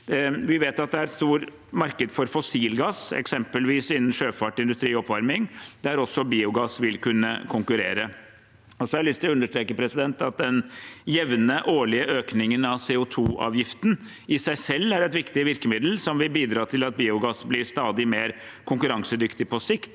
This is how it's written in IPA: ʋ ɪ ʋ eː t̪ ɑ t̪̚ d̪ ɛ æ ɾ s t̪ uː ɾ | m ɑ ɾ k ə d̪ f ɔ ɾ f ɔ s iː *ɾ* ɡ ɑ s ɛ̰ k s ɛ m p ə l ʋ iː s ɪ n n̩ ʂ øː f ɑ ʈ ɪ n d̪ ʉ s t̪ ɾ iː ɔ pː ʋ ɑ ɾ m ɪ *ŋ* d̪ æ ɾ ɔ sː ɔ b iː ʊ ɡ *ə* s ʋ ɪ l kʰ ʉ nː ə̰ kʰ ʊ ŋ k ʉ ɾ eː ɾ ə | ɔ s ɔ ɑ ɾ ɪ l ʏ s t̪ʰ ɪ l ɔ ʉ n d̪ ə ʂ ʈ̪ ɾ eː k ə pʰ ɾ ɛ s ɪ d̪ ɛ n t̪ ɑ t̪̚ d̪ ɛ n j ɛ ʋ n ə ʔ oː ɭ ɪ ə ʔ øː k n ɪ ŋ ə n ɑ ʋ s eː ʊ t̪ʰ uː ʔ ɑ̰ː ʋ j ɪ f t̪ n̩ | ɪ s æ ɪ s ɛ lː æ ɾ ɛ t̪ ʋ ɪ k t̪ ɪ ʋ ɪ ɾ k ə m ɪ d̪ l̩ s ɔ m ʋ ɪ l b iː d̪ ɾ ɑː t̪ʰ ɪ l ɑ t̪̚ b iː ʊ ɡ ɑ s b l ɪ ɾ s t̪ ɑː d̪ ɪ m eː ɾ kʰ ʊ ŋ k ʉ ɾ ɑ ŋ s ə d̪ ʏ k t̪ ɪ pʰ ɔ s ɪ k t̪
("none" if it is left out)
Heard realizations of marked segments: l, ŋ, ɑ

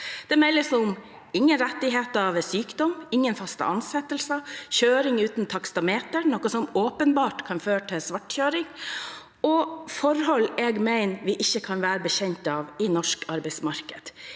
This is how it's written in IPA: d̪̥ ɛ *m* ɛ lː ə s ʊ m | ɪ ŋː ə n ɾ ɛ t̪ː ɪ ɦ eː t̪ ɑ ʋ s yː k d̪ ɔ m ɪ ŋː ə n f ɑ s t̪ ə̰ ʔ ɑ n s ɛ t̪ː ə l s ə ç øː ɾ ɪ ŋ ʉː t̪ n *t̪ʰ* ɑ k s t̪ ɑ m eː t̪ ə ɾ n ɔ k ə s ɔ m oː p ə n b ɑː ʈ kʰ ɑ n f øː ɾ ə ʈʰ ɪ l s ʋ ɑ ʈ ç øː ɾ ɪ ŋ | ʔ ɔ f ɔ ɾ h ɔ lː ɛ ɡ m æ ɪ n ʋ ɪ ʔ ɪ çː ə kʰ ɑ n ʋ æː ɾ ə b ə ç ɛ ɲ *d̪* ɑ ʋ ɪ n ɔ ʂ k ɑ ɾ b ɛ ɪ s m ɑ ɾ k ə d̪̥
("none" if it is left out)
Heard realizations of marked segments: m, t̪ʰ, t̪

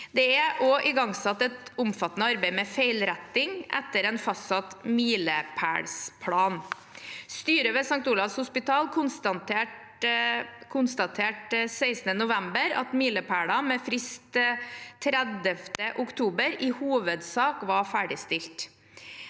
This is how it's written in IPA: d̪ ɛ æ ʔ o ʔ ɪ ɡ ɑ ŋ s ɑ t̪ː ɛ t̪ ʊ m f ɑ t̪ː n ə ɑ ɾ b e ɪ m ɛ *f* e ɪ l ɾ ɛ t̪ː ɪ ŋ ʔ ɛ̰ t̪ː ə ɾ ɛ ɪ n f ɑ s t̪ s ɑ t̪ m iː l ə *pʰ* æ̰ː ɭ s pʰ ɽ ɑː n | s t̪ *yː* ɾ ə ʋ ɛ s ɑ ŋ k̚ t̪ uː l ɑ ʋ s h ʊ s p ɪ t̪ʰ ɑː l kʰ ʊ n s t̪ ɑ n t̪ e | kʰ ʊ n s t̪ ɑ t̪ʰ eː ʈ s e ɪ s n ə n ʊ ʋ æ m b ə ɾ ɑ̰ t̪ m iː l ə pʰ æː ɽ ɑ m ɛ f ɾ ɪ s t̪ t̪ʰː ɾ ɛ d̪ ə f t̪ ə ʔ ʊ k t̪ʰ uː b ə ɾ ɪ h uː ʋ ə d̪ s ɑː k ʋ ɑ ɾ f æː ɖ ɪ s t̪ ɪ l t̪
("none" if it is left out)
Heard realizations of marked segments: f, pʰ, yː

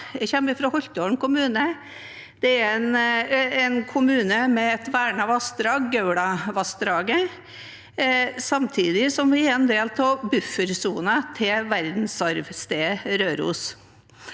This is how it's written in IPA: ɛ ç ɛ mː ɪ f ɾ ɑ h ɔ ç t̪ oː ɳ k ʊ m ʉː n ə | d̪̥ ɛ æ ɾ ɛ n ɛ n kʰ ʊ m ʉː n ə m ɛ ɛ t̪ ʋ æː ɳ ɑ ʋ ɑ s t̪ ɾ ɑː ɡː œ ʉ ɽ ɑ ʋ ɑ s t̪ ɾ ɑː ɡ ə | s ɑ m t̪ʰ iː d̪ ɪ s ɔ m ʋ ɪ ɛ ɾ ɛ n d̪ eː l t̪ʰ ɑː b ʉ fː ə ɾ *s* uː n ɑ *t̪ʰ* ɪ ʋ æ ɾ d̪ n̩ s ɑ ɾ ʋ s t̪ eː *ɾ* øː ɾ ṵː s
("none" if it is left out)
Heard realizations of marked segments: s, t̪ʰ, ɾ

